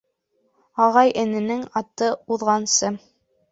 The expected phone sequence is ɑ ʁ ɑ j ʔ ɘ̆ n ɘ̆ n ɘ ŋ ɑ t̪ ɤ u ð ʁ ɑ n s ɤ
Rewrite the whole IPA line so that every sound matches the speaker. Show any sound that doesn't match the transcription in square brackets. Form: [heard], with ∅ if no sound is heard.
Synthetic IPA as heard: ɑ ʁ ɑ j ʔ ɘ̆ n ɘ̆ n ɘ ŋ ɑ t̪ ɤ u ð ʁ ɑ n s ɤ